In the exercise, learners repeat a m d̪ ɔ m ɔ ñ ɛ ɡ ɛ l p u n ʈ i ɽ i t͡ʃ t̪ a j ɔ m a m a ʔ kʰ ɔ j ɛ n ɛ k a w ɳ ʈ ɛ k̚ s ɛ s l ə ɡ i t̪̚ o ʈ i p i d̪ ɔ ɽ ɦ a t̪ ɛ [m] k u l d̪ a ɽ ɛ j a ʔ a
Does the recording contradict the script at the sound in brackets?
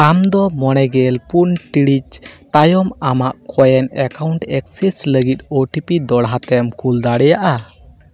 no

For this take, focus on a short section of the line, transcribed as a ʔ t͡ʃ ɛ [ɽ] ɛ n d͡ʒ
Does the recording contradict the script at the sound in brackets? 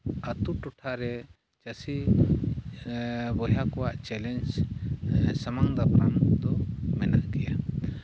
yes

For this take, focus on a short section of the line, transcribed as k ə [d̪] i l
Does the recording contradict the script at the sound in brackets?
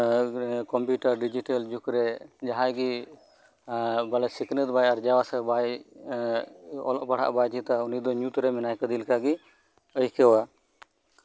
no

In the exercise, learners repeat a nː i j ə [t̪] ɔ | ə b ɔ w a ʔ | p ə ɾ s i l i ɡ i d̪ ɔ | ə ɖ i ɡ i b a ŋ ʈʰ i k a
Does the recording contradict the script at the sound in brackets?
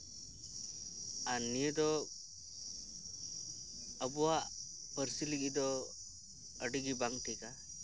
yes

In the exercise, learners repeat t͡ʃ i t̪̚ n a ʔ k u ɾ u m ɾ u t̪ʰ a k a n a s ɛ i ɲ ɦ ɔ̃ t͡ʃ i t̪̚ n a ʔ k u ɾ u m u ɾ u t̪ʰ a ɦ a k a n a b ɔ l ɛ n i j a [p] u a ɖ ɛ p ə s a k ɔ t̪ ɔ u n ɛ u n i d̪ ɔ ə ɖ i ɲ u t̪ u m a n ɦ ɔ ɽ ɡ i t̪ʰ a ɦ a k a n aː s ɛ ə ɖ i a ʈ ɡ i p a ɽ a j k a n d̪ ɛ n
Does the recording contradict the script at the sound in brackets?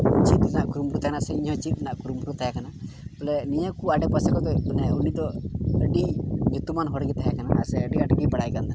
yes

